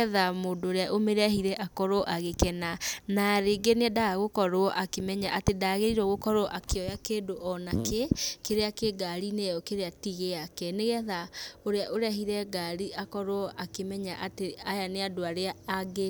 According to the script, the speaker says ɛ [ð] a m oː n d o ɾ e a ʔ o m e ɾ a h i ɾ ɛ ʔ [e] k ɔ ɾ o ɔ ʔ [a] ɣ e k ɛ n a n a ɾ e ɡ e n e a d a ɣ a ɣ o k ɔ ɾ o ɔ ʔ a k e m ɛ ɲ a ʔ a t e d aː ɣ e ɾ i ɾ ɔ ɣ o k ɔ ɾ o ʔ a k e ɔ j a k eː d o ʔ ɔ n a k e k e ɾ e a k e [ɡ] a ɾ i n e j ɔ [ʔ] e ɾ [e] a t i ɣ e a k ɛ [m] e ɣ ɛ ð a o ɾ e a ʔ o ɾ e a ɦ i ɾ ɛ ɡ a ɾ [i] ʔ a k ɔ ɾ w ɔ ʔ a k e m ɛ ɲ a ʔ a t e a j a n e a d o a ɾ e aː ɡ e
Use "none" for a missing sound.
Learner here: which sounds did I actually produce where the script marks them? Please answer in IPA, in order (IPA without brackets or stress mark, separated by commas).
ð, a, a, ɡ, k, e, n, i